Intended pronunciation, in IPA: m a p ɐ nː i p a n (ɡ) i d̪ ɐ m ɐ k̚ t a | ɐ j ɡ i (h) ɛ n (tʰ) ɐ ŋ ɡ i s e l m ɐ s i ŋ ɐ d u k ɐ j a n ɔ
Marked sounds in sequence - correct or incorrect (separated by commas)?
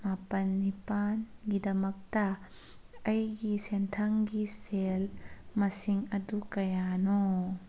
correct, incorrect, correct